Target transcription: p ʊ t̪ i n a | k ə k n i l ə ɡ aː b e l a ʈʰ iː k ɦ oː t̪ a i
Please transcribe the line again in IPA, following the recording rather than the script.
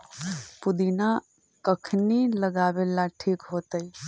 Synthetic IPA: p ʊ d̪ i n a | k ə kʰ n i l ə ɡ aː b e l a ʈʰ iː k ɦ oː t̪ ə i